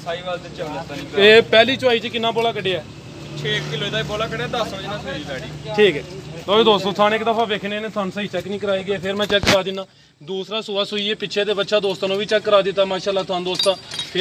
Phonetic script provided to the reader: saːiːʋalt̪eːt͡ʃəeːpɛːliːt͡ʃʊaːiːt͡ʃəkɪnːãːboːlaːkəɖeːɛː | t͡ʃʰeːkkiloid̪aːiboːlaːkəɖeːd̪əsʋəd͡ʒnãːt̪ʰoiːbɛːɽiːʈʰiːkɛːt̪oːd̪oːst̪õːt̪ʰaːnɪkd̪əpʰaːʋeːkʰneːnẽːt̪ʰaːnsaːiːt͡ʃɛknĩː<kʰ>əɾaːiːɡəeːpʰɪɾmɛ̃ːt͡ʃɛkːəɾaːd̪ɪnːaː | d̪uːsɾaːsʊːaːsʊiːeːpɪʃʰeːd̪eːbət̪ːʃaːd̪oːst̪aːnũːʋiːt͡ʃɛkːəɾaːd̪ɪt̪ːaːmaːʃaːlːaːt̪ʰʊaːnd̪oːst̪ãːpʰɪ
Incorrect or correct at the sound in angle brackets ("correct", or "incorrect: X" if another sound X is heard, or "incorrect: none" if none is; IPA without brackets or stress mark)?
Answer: incorrect: k